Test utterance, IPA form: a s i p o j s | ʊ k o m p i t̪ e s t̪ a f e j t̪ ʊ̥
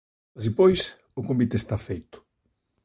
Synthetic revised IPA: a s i p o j s | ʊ k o m b i t̪ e s t̪ a f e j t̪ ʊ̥